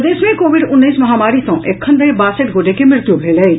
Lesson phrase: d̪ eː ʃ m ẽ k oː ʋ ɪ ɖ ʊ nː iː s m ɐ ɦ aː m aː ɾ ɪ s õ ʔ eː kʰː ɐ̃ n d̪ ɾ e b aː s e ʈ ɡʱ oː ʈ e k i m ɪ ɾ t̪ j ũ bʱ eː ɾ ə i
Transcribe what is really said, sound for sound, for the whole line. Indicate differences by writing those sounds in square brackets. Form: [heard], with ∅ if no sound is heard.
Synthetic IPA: d̪ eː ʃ m ẽ k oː ʋ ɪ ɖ ʊ nː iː s m ɐ ɦ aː m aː ɾ [i] s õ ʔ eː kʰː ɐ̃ n d̪ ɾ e b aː s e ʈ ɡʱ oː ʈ e k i m ɪ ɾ t̪ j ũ bʱ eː [l] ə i